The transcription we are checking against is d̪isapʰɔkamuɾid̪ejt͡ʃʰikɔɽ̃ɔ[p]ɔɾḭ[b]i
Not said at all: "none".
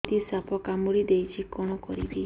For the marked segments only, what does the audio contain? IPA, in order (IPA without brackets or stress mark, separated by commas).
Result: k, b